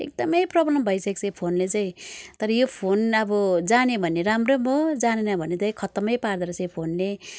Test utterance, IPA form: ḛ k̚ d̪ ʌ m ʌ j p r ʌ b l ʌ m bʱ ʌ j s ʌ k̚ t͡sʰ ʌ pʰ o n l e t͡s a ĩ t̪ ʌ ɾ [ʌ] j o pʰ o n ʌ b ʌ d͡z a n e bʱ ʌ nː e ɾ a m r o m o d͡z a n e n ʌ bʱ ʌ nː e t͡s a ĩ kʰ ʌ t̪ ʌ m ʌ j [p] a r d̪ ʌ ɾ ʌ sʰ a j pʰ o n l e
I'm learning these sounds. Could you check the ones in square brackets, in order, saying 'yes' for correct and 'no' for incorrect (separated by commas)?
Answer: yes, yes